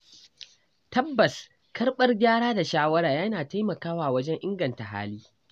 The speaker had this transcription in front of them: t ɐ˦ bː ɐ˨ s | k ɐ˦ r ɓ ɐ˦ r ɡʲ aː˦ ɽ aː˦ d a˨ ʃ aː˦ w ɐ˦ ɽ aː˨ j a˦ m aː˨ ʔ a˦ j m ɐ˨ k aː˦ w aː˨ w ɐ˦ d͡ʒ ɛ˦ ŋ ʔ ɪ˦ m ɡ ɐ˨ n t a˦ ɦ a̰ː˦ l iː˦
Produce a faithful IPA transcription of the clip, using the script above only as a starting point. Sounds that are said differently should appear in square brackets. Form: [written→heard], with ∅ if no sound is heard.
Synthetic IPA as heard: t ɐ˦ bː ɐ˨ s | k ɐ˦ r ɓ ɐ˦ r ɡʲ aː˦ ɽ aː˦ d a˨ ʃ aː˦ w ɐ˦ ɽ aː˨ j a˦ [m→n] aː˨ [ʔ→t] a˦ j m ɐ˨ k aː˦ w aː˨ w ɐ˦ d͡ʒ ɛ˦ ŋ ʔ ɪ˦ [m→ŋ] ɡ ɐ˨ n t [a˦→a˨] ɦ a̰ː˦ l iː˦